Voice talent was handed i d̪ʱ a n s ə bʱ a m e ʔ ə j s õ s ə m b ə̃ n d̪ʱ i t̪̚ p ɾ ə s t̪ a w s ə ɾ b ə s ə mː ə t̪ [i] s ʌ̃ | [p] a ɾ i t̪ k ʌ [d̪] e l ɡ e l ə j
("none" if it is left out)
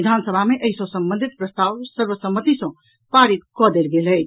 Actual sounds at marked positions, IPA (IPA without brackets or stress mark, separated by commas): i, p, d̪